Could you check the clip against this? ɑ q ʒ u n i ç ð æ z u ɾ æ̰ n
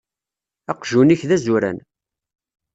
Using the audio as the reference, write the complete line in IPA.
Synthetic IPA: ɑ q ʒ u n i ç ð æ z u ɾ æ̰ n